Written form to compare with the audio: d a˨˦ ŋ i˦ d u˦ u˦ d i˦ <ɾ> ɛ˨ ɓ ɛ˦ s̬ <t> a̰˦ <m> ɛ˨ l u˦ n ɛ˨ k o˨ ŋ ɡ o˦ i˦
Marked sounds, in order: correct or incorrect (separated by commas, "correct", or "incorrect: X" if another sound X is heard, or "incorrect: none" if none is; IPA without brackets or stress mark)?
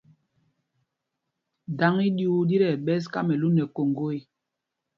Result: correct, incorrect: k, correct